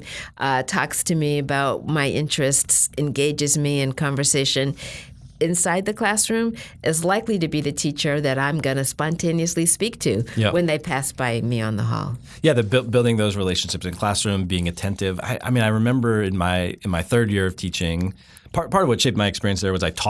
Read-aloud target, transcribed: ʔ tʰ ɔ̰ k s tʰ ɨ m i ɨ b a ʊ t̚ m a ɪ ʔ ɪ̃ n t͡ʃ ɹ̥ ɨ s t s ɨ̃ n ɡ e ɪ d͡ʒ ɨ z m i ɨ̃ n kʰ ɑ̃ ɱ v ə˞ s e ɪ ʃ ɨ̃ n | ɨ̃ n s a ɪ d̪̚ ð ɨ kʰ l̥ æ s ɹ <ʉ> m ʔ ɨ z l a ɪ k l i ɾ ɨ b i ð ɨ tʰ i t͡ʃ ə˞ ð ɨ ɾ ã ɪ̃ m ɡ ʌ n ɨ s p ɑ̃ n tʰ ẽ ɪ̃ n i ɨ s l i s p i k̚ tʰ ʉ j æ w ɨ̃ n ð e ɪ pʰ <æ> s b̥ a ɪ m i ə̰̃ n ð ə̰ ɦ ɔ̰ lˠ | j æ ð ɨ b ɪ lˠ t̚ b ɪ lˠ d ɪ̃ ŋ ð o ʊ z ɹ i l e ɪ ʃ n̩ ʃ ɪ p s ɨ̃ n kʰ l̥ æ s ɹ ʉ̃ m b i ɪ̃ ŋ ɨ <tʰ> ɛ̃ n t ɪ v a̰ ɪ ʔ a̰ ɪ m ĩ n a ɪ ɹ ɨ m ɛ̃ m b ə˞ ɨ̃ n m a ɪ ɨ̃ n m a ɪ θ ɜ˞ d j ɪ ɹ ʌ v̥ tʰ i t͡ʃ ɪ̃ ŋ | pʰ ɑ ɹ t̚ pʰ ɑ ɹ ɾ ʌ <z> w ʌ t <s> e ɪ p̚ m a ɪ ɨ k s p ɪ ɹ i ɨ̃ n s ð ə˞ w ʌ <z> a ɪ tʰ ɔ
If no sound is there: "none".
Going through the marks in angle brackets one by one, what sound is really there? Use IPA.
ʉ̃, æ, tʰ, v, ʃ, z

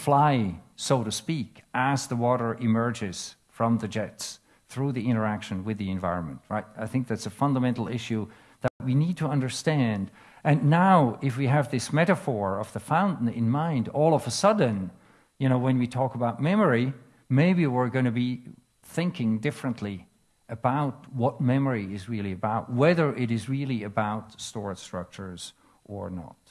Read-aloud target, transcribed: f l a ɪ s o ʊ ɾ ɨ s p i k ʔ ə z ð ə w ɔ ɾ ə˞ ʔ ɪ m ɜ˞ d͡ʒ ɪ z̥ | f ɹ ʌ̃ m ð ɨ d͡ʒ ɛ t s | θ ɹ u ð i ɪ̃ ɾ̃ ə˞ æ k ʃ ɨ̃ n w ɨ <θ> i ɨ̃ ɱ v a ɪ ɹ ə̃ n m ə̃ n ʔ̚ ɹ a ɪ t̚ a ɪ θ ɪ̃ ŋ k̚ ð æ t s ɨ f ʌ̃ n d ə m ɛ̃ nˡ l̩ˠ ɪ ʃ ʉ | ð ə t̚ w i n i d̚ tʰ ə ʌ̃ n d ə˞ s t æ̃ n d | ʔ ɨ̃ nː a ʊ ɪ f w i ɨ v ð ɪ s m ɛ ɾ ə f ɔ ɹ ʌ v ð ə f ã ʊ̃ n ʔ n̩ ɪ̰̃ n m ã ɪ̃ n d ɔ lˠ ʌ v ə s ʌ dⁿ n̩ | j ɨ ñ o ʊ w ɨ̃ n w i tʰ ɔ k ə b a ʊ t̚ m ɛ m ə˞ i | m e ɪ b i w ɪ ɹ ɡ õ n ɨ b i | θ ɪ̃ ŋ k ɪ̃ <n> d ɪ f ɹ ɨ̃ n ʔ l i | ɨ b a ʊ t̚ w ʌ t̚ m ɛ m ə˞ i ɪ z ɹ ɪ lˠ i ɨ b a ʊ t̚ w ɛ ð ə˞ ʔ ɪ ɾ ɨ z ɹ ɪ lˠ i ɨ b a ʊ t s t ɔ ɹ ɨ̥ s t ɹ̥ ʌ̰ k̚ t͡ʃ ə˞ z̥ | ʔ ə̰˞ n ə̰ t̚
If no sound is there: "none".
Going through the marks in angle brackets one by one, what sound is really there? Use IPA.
ð, ŋ

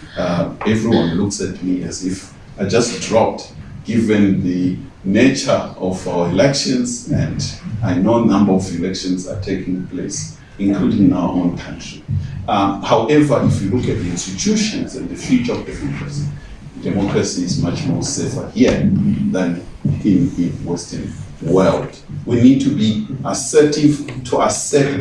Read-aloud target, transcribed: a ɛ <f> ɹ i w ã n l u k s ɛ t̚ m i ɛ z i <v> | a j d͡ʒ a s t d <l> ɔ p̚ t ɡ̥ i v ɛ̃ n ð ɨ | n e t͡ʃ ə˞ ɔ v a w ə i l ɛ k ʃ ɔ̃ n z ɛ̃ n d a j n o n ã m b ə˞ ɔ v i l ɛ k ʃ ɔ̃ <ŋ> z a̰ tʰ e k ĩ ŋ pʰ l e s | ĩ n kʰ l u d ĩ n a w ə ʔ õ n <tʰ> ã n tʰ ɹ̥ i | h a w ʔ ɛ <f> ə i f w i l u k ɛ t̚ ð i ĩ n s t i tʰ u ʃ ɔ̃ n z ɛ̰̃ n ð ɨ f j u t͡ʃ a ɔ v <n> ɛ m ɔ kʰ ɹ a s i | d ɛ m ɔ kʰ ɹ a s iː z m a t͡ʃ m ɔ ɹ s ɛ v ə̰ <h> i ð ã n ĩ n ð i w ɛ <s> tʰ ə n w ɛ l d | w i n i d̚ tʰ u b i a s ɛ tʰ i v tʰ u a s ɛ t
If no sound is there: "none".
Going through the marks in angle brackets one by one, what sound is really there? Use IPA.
v, f, ɹ, n, kʰ, v, d, h, s

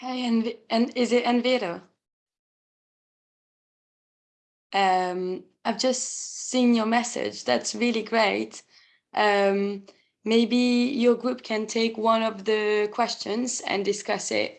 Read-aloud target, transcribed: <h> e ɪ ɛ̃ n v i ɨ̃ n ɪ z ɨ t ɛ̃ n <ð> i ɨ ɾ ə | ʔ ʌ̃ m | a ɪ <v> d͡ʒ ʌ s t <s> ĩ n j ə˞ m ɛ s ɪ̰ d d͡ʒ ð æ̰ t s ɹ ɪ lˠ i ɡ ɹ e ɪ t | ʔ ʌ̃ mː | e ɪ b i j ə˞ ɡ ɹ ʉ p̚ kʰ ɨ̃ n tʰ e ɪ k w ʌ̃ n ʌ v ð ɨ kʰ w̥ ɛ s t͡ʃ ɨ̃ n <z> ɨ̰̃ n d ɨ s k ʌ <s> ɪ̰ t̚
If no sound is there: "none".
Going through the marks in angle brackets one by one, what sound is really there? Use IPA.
h, v, v, s, z, s

